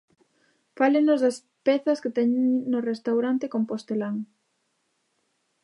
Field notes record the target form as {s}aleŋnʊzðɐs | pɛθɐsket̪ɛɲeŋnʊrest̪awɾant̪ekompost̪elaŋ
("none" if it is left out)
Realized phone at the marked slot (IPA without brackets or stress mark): f